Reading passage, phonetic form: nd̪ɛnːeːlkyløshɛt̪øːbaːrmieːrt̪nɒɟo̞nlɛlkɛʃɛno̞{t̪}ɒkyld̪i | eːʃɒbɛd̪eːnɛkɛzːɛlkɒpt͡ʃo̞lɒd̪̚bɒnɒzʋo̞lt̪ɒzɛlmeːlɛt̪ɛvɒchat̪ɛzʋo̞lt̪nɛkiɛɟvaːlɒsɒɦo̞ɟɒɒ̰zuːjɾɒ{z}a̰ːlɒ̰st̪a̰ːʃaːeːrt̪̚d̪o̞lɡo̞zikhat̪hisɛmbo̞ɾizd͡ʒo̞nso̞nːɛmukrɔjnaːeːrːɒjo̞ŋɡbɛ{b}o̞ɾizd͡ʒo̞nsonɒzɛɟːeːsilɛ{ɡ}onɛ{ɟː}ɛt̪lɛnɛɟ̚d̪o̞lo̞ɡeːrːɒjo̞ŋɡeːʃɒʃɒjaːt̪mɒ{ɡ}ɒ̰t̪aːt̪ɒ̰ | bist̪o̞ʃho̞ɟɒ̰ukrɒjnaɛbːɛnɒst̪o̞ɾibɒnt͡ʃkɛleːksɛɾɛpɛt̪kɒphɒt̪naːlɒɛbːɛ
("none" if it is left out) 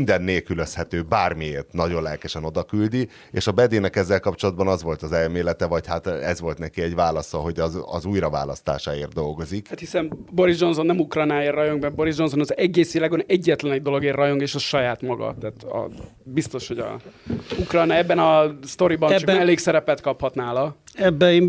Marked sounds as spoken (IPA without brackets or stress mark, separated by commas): d̪, v, b, ɡ, ɟː, ɡ